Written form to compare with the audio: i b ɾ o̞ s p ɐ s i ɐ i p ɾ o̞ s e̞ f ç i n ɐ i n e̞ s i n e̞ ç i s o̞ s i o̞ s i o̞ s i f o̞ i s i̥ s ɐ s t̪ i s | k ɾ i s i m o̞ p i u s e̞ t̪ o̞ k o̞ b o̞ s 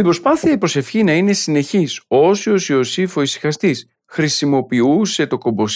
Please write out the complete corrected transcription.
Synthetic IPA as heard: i b ɾ o̞ s p ɐ θ i ɐ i p ɾ o̞ s e̞ f ç i n ɐ i n e̞ s i n e̞ ç i s o̞ s i o̞ s i o̞ s i f o̞ i s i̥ x ɐ s t̪ i s | x ɾ i s i m o̞ p i u s e̞ t̪ o̞ k o̞ b o̞ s